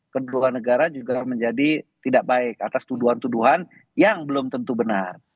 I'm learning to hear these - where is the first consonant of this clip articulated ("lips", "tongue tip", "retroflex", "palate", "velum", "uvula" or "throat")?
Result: velum